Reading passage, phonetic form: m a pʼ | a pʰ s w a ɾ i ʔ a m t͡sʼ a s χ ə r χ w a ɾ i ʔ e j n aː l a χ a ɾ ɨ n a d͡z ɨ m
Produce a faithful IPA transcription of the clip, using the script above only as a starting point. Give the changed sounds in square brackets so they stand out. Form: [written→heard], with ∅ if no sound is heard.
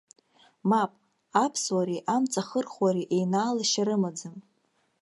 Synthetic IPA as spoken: m a pʼ | a pʰ s w a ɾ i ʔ a m t͡sʼ a [s→∅] χ ə r χ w a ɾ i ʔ e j n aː l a [χ→ʃ] a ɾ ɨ [n→m] a d͡z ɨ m